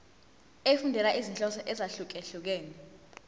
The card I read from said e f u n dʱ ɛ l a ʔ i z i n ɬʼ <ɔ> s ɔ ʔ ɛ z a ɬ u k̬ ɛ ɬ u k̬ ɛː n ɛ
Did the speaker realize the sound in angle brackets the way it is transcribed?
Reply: yes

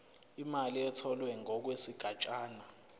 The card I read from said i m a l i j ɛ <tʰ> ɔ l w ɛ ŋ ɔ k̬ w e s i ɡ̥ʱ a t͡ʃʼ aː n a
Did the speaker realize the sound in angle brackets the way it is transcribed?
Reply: yes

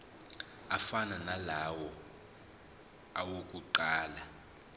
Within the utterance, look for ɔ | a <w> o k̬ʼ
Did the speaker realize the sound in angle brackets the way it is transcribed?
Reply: yes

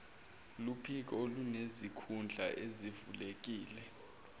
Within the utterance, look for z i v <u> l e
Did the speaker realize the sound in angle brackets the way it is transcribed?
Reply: yes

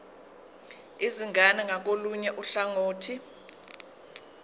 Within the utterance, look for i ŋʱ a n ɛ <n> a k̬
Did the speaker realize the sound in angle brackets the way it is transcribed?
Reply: no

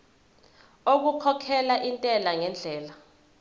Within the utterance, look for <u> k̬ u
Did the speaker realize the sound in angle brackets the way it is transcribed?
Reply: no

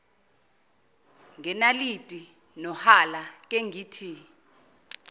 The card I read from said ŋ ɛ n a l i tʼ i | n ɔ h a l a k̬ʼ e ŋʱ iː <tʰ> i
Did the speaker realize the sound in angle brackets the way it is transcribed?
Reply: yes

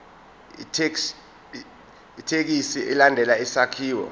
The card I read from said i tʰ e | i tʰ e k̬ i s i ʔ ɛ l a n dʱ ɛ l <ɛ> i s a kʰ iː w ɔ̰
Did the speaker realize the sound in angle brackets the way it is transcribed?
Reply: no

